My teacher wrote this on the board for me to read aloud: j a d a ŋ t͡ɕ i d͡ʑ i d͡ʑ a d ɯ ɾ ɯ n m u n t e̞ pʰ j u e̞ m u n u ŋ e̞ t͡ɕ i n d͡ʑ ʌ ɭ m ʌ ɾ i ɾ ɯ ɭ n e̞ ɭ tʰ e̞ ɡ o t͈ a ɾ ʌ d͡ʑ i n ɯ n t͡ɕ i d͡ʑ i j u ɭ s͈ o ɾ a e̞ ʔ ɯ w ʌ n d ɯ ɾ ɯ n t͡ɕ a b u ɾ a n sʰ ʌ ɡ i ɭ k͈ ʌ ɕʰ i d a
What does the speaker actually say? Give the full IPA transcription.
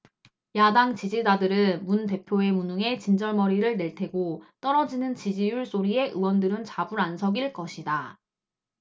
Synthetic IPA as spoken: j a d a ŋ t͡ɕ i d͡ʑ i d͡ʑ a d ɯ ɾ ɯ n m u n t e̞ pʰ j o e̞ m u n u ŋ e̞ t͡ɕ i n d͡ʑ ʌ ɭ m ʌ ɾ i ɾ ɯ ɭ n e̞ ɭ tʰ e̞ ɡ o t͈ ʌ ɾ ʌ d͡ʑ i n ɯ n t͡ɕ i d͡ʑ i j u ɭ s͈ o ɾ i e̞ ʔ ɯ w ʌ n d ɯ ɾ ɯ n t͡ɕ a b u ɾ a n sʰ ʌ ɡ i ɭ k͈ ʌ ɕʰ i d a